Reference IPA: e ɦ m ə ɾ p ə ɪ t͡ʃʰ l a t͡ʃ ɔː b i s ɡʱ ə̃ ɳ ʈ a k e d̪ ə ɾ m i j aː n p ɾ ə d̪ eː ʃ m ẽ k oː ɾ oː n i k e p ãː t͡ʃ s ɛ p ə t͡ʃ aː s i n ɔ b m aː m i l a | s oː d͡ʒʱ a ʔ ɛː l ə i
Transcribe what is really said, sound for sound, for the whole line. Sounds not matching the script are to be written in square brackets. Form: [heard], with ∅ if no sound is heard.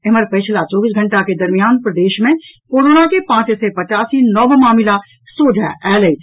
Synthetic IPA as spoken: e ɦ m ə ɾ p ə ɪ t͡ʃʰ l a t͡ʃ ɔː b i s ɡʱ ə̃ ɳ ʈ a k e d̪ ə ɾ m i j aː n p ɾ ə d̪ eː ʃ m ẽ k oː ɾ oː n [a] k e p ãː t͡ʃ s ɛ p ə t͡ʃ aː s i n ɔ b m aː m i l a | s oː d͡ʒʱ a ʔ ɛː l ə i